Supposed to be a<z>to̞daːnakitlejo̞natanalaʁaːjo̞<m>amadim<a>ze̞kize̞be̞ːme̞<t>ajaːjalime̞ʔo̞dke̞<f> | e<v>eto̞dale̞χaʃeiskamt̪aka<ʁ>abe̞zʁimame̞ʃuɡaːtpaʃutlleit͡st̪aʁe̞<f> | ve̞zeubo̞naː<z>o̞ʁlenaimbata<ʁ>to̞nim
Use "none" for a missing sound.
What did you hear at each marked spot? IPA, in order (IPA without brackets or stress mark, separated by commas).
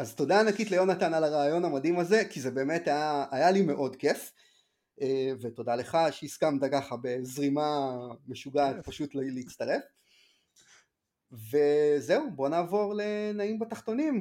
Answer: z, n, a, t, f, v, χ, f, v, χ